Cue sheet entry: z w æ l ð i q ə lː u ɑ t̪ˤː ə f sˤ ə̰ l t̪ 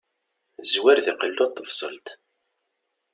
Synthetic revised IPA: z w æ ɾ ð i q ə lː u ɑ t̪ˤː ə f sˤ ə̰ l t̪